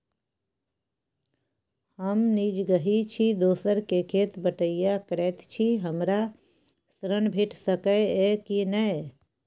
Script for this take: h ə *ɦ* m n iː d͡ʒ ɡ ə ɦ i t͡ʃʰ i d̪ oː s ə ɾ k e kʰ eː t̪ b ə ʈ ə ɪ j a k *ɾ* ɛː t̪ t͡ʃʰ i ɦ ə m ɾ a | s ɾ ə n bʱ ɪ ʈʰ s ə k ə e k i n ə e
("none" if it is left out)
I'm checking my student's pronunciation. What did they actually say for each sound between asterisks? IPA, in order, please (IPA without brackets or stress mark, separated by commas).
none, ɾ